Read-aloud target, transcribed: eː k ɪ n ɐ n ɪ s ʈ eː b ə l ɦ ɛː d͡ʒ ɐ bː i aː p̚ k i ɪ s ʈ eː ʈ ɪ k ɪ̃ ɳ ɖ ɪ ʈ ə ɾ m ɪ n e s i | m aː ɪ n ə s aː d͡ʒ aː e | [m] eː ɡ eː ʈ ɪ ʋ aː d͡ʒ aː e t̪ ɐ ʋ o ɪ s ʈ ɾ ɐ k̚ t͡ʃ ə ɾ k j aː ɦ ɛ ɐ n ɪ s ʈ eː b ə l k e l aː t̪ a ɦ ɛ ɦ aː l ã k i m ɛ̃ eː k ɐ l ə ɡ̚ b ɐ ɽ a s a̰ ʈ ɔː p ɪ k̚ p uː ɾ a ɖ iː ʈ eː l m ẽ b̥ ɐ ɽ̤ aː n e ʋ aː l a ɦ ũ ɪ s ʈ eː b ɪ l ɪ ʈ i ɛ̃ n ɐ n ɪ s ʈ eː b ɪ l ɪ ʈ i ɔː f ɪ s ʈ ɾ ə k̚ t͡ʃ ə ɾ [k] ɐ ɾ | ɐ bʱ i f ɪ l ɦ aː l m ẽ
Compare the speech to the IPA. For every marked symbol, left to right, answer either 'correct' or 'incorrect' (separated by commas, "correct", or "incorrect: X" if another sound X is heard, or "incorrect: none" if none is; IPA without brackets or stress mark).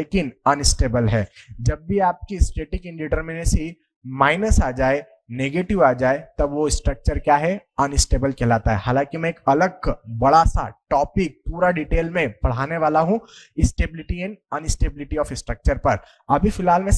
incorrect: n, incorrect: p